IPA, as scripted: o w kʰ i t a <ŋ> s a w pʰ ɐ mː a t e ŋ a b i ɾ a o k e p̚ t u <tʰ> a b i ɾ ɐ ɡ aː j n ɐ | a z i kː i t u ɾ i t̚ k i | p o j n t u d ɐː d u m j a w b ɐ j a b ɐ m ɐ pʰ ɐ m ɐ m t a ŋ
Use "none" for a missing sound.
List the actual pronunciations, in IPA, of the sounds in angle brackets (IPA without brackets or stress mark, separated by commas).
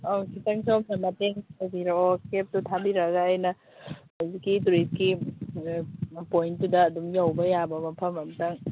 ŋ, tʰ